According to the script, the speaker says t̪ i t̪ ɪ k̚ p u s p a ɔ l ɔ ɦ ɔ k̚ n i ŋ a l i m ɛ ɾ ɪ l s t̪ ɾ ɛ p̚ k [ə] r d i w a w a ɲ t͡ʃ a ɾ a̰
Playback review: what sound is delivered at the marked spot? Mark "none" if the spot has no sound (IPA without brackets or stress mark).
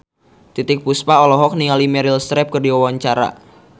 ə